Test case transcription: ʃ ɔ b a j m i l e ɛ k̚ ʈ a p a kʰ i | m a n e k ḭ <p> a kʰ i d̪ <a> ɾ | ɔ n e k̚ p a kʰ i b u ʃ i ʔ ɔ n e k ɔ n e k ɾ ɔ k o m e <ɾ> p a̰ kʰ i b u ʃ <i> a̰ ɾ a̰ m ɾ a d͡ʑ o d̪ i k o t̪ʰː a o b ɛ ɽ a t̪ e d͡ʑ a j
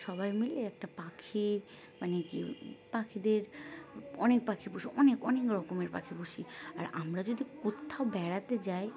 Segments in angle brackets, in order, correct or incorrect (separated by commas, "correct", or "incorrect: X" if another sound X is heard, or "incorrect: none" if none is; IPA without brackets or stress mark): correct, incorrect: e, correct, correct